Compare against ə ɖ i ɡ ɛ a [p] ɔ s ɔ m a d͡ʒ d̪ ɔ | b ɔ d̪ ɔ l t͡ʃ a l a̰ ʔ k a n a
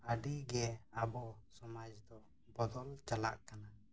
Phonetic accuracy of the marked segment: incorrect: b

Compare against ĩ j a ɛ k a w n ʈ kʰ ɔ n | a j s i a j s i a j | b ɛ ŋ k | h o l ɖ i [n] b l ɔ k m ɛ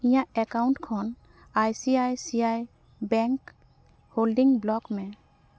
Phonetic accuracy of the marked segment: incorrect: ŋ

